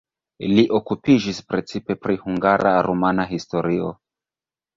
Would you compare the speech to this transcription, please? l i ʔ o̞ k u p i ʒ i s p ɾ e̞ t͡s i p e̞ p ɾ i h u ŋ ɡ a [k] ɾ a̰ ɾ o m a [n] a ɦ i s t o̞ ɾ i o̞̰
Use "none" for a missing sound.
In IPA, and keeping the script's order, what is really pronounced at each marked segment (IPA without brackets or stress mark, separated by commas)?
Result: none, n